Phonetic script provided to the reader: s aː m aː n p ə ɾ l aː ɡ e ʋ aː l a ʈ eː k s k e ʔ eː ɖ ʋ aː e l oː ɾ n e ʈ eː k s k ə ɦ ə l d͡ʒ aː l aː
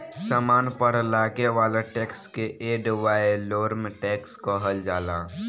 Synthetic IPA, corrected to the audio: s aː m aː n p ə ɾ l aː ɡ e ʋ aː l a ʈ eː k s k e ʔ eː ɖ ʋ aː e l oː ɾ m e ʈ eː k s k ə ɦ ə l d͡ʒ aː l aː